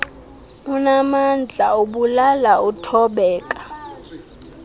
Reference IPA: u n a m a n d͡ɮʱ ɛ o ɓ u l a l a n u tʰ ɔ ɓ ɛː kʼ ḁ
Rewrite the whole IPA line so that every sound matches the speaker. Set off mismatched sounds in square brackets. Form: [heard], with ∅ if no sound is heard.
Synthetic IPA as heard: u n a m a n d͡ɮʱ [a] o ɓ u l a l a [∅] u tʰ ɔ ɓ ɛː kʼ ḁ